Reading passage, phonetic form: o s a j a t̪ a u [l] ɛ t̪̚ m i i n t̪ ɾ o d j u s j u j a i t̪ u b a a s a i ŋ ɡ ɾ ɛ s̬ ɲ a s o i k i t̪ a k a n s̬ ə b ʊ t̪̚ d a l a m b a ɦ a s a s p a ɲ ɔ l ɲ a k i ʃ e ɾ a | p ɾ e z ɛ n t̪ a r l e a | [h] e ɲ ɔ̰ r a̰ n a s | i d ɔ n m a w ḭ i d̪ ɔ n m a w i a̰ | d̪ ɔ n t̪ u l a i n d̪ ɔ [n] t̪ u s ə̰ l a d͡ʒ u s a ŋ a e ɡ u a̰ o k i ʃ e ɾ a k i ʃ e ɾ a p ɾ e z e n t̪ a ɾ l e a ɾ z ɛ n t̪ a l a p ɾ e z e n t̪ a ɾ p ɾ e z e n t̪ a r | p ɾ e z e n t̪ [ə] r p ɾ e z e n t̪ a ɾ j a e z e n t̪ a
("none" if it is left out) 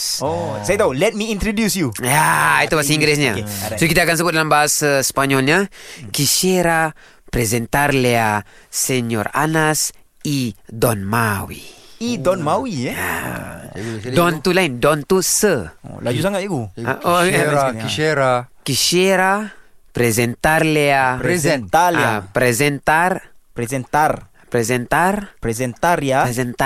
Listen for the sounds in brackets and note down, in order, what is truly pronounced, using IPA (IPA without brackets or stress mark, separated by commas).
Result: l, s, n, a